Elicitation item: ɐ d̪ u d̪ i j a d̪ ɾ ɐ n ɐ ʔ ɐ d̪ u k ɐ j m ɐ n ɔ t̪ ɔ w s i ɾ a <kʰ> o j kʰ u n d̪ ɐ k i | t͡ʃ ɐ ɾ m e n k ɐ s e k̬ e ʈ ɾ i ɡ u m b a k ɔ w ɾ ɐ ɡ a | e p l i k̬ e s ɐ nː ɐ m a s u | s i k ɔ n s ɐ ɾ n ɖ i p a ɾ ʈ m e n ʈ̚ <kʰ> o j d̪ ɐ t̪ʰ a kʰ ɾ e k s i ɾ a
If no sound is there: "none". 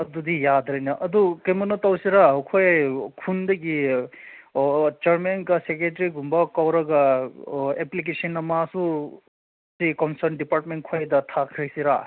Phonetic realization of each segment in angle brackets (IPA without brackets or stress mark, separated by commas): kʰ, kʰ